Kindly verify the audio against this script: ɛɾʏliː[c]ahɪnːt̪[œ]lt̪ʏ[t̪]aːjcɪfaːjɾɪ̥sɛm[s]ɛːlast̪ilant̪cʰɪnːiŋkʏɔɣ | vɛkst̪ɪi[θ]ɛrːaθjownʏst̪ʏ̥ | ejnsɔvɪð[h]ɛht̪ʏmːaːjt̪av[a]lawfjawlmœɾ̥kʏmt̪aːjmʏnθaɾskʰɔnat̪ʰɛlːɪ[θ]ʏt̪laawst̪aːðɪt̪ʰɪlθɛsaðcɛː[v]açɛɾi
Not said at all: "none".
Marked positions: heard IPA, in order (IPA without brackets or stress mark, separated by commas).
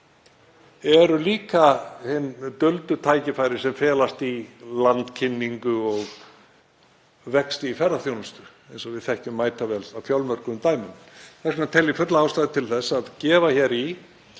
k, œ, t̪ʰ, f, f, θ, ɛ, f, v